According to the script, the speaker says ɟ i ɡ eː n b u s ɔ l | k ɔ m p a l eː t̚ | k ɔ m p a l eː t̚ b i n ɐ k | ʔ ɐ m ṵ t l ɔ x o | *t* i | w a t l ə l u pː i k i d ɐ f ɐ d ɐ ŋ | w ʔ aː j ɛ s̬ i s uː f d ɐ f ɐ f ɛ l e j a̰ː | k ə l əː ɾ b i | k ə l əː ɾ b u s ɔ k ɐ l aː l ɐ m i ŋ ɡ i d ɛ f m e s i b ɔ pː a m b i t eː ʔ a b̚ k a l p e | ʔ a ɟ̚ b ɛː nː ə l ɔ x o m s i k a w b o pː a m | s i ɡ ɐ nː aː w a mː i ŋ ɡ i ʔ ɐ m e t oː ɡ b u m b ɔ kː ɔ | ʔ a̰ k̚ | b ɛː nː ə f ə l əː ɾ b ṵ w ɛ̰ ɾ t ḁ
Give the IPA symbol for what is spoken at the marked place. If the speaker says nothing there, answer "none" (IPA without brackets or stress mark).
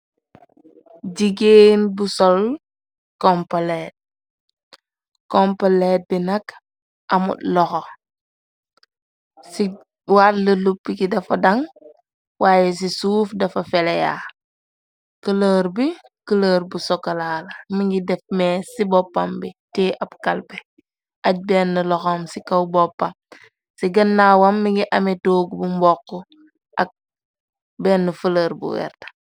s